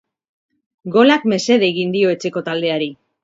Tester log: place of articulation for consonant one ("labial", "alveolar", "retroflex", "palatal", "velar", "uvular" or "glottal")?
velar